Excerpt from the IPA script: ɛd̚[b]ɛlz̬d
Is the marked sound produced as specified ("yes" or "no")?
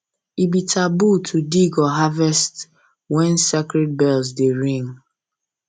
yes